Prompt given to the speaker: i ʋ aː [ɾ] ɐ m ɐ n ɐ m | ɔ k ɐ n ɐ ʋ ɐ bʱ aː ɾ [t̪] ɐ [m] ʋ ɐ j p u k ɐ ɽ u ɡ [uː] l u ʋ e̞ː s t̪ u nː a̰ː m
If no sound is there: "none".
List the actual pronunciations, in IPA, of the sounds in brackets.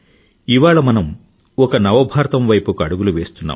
ɭ, t̪, m, u

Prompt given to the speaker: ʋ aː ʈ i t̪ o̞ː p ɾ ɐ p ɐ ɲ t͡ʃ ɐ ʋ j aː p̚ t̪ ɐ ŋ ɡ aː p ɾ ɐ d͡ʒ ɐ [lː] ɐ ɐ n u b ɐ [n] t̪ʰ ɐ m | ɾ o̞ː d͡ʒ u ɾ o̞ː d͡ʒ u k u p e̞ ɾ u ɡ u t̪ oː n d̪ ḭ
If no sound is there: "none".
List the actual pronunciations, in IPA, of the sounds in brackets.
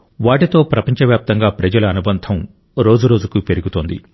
l, n

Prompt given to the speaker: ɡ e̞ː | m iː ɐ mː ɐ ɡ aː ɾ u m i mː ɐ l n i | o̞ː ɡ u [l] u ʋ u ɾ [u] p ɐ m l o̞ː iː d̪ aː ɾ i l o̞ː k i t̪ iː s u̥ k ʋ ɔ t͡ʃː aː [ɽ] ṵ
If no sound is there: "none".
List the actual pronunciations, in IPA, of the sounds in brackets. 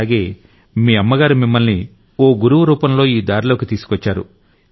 ɾ, uː, ɾ

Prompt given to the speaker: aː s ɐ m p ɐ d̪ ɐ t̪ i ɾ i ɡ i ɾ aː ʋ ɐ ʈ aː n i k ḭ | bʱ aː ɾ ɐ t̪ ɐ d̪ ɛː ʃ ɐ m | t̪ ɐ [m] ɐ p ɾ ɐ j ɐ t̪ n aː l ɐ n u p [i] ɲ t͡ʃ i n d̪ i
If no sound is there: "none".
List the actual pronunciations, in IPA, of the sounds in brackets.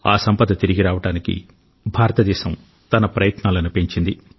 n, e

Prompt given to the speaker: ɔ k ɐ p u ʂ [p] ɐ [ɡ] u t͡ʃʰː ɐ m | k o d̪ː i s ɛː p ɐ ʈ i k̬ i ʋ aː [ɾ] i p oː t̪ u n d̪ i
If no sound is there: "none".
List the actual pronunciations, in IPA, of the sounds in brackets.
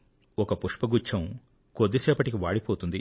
p, ɡ, ɽ

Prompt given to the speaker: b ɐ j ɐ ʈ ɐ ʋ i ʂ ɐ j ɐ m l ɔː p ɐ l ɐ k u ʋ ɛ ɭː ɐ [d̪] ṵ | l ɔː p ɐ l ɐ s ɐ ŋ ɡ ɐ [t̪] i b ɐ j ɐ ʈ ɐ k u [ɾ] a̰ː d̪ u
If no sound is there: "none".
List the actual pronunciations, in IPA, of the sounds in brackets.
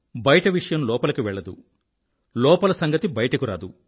d̪, t̪, ɾ

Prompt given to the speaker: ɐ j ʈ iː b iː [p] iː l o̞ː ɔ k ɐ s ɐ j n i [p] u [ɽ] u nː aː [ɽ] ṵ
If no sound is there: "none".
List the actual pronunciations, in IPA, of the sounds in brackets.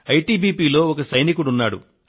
p, k, ɽ, ɽ

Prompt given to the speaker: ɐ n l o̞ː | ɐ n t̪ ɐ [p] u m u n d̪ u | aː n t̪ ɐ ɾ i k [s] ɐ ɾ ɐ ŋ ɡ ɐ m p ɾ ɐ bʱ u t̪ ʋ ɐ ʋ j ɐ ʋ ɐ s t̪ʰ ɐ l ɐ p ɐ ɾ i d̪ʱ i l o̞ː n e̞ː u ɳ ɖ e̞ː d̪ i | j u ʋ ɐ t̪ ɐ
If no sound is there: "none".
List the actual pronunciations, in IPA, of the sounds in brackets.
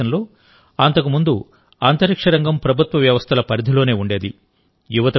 k, ʂ

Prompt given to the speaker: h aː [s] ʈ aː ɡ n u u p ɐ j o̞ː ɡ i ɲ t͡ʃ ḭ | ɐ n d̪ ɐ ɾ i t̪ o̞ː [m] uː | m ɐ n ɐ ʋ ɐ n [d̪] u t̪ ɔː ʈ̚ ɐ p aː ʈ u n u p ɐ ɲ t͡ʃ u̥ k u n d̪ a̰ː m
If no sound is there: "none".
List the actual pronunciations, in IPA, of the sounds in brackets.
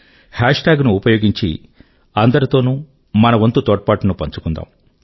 ʂ, n, t̪

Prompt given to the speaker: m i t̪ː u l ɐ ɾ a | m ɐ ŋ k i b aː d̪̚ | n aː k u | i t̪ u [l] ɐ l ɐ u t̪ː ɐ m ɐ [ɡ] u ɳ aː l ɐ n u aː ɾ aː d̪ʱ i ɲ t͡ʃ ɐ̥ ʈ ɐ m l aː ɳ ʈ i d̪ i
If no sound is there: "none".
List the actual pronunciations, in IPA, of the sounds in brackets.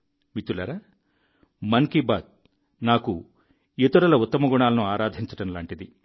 ɾ, ɡ

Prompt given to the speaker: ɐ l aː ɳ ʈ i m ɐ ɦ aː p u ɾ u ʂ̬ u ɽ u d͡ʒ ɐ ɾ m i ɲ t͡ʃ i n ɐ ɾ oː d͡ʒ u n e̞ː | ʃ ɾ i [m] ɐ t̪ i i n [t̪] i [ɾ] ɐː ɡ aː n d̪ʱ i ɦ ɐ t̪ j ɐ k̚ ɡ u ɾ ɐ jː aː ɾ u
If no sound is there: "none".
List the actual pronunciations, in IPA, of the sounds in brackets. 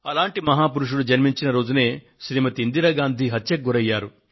m, d̪, ɾ

